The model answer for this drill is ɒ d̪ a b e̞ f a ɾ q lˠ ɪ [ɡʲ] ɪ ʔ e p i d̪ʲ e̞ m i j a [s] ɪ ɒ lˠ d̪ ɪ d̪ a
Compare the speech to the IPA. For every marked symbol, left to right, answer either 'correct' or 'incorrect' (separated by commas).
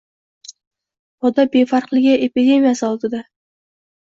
correct, correct